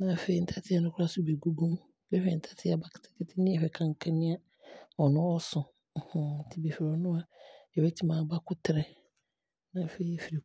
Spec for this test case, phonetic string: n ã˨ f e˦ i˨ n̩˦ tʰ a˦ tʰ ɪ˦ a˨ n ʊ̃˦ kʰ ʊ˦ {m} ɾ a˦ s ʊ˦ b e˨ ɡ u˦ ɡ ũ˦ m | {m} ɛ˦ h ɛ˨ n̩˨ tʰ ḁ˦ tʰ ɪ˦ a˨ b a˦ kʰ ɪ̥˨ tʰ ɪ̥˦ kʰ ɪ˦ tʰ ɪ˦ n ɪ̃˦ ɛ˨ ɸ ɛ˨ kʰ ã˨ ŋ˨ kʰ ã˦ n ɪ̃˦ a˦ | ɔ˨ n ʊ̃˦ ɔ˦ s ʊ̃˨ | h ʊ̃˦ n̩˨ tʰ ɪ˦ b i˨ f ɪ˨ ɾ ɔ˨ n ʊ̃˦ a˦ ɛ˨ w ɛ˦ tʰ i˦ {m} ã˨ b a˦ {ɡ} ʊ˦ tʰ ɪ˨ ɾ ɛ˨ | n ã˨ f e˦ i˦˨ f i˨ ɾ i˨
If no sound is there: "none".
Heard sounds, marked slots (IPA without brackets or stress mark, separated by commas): none, b, m, k